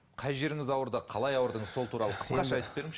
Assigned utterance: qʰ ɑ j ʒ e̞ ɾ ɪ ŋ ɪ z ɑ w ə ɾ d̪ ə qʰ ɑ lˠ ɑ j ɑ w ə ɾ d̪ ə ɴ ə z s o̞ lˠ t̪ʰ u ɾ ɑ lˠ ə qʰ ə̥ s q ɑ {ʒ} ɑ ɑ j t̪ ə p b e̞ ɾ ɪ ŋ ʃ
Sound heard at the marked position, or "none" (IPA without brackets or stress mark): ʃ